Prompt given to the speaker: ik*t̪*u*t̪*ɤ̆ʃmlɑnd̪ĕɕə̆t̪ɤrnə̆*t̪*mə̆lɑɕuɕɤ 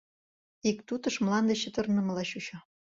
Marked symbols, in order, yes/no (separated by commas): yes, yes, no